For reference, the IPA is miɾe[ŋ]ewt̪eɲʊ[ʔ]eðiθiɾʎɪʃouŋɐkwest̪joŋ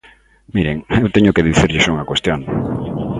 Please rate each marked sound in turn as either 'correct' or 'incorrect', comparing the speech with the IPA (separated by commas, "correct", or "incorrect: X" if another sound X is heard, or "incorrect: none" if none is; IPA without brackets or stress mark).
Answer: correct, incorrect: k